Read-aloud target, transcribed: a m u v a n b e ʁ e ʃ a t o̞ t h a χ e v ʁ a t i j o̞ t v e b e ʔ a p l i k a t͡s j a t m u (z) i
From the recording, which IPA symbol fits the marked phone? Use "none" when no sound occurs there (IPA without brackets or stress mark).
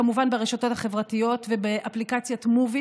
v